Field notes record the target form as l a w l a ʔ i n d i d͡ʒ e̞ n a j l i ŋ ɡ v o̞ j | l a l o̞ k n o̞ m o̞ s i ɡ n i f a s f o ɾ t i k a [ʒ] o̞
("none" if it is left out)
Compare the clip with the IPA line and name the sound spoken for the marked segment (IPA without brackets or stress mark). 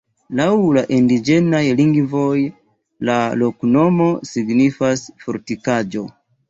d͡ʒ